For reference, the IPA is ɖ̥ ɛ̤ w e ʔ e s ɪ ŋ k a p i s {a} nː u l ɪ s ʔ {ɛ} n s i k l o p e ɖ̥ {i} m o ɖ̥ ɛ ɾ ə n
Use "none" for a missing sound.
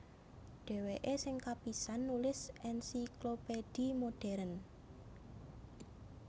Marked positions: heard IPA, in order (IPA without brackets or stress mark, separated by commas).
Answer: a, ɛ, i